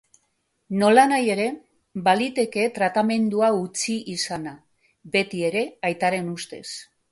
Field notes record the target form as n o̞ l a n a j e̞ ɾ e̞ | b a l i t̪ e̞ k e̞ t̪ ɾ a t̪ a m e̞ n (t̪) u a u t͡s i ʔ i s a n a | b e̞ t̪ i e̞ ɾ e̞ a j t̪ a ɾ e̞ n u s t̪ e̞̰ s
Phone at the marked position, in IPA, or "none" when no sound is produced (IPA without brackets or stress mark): d̪